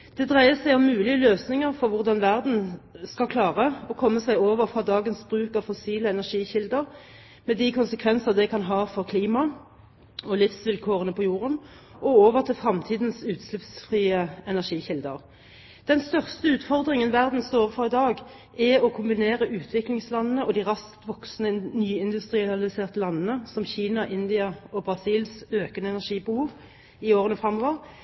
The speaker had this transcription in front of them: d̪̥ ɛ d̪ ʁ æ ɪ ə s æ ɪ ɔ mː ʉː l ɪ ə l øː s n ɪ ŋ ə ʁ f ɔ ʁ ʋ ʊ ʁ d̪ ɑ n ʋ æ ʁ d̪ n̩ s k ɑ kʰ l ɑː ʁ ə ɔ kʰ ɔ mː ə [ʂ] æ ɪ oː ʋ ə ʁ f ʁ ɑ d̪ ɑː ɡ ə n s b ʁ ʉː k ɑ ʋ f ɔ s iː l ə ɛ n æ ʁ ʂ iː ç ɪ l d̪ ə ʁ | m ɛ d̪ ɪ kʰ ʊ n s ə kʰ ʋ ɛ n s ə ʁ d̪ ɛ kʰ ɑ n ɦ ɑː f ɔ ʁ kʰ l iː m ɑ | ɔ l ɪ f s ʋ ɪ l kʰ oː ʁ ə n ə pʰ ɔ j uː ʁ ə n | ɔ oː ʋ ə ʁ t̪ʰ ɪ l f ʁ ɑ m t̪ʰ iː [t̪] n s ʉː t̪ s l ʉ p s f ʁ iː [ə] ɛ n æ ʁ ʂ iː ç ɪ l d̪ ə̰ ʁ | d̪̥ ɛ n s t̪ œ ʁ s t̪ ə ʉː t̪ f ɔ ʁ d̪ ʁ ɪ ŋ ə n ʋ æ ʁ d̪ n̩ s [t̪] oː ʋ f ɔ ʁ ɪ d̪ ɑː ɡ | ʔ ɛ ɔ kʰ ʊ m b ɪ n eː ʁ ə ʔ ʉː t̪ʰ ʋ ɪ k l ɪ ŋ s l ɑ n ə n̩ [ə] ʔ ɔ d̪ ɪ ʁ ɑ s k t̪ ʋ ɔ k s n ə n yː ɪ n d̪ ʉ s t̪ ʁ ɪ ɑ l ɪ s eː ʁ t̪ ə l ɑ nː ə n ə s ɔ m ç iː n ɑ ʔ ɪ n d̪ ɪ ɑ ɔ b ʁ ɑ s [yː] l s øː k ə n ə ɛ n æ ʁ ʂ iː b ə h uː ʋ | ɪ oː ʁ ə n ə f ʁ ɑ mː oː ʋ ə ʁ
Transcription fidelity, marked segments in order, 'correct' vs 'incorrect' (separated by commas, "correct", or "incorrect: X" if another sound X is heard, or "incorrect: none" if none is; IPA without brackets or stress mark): incorrect: s, incorrect: d̪, correct, correct, correct, incorrect: iː